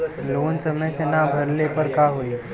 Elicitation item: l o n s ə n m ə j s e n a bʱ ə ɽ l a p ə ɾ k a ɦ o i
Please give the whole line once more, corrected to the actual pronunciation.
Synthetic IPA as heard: l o n s ə m ə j s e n a bʱ ə ɾ l e p ə ɾ k a ɦ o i